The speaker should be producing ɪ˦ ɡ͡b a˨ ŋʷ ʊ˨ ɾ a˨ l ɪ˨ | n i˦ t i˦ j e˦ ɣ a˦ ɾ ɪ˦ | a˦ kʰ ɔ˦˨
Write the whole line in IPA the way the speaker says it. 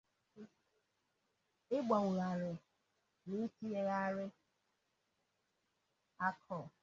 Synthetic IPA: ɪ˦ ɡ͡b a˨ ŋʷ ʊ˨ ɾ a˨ ɾ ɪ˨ | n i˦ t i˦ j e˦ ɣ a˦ ɾ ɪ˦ | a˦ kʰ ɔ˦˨